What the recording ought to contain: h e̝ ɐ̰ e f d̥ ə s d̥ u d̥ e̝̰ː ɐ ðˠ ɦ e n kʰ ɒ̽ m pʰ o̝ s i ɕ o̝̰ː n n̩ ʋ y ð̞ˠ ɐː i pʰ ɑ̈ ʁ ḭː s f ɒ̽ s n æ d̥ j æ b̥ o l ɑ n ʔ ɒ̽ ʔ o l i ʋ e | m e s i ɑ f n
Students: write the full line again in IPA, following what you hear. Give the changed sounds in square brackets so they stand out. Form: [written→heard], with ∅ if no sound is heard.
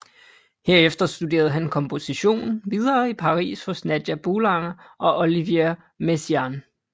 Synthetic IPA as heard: h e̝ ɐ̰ e f d̥ [ə→ɐ] s d̥ u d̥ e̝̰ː ɐ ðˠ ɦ [e→æ] n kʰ ɒ̽ m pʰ o̝ s i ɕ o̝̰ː n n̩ ʋ [y→i] ð̞ˠ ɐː i pʰ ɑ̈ ʁ ḭː s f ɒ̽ s n æ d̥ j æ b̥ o l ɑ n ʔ ɒ̽ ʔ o l i ʋ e | m e s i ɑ [f→∅] n